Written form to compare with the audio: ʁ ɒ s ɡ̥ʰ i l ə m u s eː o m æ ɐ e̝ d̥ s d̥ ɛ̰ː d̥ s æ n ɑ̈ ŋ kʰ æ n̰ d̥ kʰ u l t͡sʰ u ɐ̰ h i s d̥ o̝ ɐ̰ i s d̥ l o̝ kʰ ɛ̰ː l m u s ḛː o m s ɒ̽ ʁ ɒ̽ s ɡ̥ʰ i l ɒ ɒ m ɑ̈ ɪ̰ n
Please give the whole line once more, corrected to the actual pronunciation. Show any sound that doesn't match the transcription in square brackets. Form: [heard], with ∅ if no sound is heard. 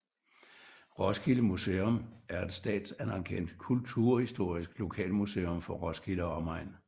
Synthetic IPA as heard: ʁ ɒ s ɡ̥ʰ i l ə m u s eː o m æ ɐ e̝ d̥ s d̥ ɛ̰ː d̥ s æ n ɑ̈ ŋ kʰ [e] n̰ d̥ kʰ u l t͡sʰ u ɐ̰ h i s d̥ o̝ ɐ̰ i s [ɡ̥] l o̝ kʰ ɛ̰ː l m u s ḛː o m [f] ɒ̽ ʁ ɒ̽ s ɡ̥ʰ i l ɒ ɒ m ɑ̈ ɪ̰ n